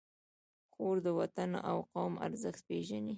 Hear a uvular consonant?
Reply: yes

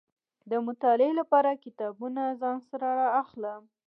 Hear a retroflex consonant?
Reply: no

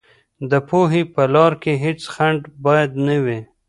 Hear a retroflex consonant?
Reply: yes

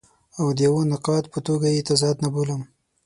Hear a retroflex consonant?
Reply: no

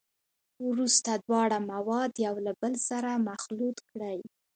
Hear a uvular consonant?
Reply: no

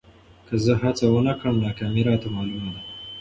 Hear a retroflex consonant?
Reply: yes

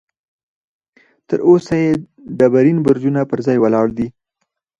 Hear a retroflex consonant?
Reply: yes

